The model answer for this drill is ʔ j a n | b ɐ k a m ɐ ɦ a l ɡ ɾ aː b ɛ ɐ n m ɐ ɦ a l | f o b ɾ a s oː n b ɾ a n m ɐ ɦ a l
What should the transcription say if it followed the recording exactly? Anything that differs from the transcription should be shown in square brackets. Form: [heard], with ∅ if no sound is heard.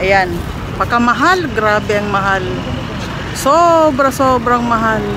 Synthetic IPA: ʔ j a n | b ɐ k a m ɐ ɦ a l ɡ ɾ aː b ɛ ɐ [ŋ] m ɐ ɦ a l | [s] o b ɾ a s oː [∅] b ɾ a [ŋ] m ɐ ɦ a l